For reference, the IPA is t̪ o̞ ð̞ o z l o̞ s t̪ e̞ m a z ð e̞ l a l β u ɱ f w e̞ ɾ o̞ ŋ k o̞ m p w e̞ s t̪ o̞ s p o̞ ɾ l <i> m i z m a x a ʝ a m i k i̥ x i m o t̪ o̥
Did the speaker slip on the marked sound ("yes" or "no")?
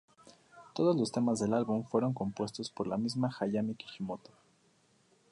yes